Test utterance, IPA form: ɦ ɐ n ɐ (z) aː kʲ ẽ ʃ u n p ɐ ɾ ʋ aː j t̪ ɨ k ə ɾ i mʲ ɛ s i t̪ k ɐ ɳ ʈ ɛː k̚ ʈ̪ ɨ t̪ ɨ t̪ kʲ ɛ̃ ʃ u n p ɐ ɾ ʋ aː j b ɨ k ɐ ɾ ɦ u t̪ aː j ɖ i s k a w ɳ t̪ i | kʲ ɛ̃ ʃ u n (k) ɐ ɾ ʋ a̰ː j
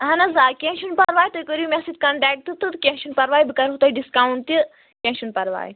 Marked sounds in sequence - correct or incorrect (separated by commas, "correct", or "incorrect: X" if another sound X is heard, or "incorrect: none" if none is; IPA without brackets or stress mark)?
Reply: correct, incorrect: p